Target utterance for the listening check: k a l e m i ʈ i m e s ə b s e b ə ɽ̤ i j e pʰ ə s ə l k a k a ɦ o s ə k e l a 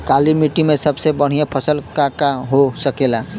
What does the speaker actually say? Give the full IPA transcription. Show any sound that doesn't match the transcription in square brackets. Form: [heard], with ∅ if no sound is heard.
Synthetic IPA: k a l [i] m i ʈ i m e s ə b s e b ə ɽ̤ i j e pʰ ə s ə l k a k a ɦ o s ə k e l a

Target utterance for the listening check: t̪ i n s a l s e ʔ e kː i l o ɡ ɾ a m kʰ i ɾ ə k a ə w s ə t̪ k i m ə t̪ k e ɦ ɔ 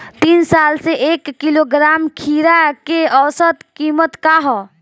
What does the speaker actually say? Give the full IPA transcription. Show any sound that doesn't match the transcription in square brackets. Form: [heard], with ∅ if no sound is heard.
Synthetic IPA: t̪ i n s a l s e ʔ e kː i l o ɡ ɾ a m kʰ i ɾ [a] k [e] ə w s ə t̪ k i m ə t̪ k [a] ɦ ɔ

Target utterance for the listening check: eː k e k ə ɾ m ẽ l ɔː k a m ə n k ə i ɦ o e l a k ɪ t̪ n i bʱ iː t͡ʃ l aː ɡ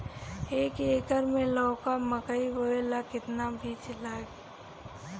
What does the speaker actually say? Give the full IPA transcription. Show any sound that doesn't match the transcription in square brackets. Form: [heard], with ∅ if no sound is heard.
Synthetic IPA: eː k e k ə ɾ m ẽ l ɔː k a m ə [∅] k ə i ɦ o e l a k ɪ t̪ n [a] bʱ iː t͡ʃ l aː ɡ

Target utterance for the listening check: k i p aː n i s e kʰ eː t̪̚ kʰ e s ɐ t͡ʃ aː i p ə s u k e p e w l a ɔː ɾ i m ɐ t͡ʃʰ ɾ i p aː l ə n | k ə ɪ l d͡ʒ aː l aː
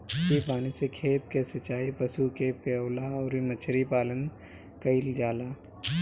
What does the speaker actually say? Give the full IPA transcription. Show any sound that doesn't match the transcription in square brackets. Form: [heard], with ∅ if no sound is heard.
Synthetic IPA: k i p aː n i s e kʰ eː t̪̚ [k] e s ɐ t͡ʃ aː i p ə s u k e p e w l a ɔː ɾ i m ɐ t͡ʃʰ ɾ i p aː l ə n | k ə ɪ l d͡ʒ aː l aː

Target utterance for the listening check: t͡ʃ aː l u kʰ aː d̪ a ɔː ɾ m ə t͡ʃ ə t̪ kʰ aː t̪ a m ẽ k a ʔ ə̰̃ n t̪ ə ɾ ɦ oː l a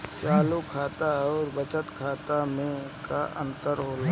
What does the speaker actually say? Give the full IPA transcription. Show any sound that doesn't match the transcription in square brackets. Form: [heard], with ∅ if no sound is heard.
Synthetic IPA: t͡ʃ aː l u kʰ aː [t̪] a ɔː ɾ [b] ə t͡ʃ ə t̪ kʰ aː t̪ a m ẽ k a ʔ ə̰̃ n t̪ ə ɾ ɦ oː l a

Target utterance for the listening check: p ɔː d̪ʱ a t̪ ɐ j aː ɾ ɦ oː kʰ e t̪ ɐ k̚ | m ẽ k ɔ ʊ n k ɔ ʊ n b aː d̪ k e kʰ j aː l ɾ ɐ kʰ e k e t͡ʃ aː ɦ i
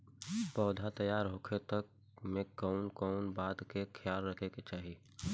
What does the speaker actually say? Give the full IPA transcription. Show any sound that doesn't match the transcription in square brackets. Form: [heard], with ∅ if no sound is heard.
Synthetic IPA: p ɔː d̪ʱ a t̪ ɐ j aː ɾ ɦ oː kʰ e t̪ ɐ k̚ | m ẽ k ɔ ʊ n k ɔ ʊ n b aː d̪ k e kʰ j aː l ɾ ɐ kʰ e k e t͡ʃ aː ɦ i

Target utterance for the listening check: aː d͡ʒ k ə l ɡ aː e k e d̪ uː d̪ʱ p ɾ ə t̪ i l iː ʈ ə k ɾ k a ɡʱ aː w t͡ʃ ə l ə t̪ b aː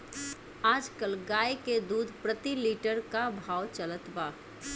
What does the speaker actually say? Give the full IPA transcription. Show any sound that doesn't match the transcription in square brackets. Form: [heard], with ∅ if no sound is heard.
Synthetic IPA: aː d͡ʒ k ə l ɡ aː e k e d̪ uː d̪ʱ p ɾ ə t̪ i l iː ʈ ə [∅] ɾ k a [bʱ] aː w t͡ʃ ə l ə t̪ b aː

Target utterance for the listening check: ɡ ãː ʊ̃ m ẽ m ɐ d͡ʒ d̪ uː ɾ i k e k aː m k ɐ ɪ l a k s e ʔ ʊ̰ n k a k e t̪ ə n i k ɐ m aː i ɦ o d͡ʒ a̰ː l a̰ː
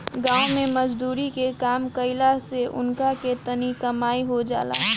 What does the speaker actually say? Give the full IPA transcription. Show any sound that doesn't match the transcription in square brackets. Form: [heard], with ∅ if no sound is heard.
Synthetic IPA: ɡ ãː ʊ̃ m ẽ m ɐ d͡ʒ d̪ uː ɾ i k e k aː m k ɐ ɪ l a [∅] s e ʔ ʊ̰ n k a k e t̪ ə n i k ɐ m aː i ɦ o d͡ʒ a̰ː l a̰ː

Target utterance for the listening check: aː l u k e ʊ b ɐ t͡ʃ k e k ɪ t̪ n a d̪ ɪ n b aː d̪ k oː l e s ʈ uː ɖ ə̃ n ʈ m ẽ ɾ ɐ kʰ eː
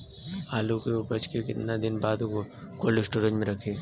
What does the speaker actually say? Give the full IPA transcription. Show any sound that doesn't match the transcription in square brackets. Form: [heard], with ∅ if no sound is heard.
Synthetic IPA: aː l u k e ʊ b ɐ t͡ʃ k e k ɪ t̪ n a d̪ ɪ n b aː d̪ k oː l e s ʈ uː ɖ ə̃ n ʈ m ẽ ɾ ɐ kʰ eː

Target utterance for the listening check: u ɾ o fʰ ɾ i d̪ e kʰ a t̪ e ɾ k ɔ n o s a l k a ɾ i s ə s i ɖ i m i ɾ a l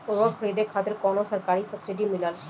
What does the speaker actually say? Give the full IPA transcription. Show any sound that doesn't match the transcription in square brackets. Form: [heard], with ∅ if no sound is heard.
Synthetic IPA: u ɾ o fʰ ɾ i d̪ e kʰ a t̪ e ɾ k ɔ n o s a [ɾ] k a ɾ i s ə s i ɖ i m i [l] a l

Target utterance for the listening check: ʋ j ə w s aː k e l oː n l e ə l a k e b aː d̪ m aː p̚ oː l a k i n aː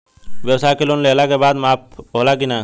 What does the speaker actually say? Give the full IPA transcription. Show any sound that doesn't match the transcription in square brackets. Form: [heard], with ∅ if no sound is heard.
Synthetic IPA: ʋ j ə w s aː k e l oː n l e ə l a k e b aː d̪ m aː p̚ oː l a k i n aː

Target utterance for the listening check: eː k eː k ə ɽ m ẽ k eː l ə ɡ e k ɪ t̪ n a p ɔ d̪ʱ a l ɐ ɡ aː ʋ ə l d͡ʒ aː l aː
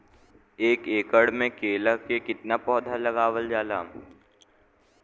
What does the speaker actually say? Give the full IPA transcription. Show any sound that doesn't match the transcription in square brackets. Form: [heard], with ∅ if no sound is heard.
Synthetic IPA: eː k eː k ə ɽ m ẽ k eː l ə [k] e k ɪ t̪ n a p [ɔː] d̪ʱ a l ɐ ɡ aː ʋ ə l d͡ʒ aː l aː

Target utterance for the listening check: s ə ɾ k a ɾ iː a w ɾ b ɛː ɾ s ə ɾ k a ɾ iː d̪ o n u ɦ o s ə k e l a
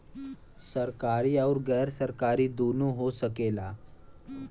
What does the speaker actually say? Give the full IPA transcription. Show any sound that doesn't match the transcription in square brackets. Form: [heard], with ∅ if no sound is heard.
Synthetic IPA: s ə ɾ k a ɾ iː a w ɾ [ɡ] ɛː ɾ s ə ɾ k a ɾ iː d̪ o n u ɦ o s ə k e l a

